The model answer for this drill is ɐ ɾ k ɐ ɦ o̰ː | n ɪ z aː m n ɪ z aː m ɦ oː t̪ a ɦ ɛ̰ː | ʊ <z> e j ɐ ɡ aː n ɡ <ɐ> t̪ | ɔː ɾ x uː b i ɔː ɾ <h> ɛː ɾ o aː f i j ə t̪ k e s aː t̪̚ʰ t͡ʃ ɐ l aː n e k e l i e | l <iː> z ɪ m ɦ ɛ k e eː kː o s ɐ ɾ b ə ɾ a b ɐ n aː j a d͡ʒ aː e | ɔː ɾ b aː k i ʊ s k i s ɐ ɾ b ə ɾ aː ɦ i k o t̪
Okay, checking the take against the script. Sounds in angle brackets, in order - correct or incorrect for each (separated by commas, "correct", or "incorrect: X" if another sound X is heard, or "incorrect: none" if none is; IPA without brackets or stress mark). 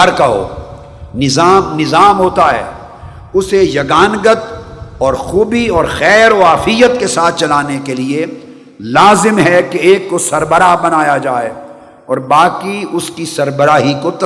incorrect: s, incorrect: ə, incorrect: x, incorrect: aː